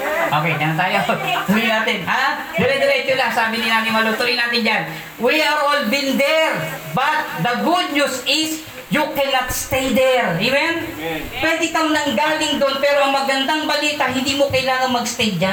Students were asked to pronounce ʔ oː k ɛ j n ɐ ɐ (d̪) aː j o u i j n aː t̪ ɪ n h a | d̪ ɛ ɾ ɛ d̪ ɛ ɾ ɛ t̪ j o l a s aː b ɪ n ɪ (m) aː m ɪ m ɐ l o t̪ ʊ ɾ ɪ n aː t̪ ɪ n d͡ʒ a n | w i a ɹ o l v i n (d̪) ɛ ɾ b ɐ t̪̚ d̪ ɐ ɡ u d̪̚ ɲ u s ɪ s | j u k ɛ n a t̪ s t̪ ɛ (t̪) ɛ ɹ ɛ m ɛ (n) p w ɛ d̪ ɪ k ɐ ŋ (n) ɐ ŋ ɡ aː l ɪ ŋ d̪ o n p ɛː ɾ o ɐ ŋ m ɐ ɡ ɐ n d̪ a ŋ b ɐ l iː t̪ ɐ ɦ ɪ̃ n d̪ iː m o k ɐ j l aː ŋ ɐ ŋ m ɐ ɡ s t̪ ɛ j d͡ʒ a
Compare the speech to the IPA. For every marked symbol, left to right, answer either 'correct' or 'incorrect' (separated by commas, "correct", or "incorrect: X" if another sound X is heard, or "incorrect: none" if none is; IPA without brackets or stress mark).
incorrect: t̪, incorrect: n, correct, incorrect: d̪, correct, correct